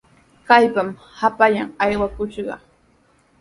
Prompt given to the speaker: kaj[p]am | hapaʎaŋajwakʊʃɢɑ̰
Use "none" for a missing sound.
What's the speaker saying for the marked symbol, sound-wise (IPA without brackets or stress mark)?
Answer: p